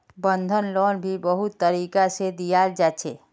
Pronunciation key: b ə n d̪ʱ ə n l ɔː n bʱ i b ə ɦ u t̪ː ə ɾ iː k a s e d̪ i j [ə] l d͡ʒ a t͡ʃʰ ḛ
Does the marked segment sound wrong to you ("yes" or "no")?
yes